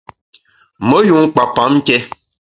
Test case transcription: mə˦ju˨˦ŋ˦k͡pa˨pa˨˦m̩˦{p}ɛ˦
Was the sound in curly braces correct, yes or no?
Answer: no